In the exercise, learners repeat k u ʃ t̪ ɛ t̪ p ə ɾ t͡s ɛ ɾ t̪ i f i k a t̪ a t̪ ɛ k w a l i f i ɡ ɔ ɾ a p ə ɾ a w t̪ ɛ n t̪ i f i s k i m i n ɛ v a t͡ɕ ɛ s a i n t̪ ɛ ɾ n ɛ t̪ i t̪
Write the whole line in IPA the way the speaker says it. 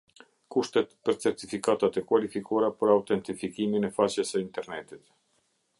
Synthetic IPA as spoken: k u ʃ t̪ ɛ t̪ p ə ɾ t͡s ɛ ɾ t̪ i f i k a t̪ a t̪ ɛ k w a l i f i k ɔ ɾ a p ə ɾ a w t̪ ɛ n t̪ i f i k i m i n ɛ f a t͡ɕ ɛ s ə i n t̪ ɛ ɾ n ɛ t̪ i t̪